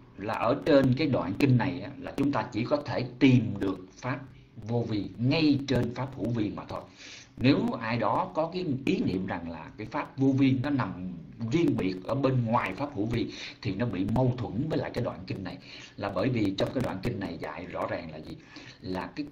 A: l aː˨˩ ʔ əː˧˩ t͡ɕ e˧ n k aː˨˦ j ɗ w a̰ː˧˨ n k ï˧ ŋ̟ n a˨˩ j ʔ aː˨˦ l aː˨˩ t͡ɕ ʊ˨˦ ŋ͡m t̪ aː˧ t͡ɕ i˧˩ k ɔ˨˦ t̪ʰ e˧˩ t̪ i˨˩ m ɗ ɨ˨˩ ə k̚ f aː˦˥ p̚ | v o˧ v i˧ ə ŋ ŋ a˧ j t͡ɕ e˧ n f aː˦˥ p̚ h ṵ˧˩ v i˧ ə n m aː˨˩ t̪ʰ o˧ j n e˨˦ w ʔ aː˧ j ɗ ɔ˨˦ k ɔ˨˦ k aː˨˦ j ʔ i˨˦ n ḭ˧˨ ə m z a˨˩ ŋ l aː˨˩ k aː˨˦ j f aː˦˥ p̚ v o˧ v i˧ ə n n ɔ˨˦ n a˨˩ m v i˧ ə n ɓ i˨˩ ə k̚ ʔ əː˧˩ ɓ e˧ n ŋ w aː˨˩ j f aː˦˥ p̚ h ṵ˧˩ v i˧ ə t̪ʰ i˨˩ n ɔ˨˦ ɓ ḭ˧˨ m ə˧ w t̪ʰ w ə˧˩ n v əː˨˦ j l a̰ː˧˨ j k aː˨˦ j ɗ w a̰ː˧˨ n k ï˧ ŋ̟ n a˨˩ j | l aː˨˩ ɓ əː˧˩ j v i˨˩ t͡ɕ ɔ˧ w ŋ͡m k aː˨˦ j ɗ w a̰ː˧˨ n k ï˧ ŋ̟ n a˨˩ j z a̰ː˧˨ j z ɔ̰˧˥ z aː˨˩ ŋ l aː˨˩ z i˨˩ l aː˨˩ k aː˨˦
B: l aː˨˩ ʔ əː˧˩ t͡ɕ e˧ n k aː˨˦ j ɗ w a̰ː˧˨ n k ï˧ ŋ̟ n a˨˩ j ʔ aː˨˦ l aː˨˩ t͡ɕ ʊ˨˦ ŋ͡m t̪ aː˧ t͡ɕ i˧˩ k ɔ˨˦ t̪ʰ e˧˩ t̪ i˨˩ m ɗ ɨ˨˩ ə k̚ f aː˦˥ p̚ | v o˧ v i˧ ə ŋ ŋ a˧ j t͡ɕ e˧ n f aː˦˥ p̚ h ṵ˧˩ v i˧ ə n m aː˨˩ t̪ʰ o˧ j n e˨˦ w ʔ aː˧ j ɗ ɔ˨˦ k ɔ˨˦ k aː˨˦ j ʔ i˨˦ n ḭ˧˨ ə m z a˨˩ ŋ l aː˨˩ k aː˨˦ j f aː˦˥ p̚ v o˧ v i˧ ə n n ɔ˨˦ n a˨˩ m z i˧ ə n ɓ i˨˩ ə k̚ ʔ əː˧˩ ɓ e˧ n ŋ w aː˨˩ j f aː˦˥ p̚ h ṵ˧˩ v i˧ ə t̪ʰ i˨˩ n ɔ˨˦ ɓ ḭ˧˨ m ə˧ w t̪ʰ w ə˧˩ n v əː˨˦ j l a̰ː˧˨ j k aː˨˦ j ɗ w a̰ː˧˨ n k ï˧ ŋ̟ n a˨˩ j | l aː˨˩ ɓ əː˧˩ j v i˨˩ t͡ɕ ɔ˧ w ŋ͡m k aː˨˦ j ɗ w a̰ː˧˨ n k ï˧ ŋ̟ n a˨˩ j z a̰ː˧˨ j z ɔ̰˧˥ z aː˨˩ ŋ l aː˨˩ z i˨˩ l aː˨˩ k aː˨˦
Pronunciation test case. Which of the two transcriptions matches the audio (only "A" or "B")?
B